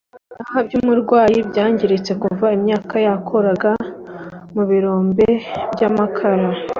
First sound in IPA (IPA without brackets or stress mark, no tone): a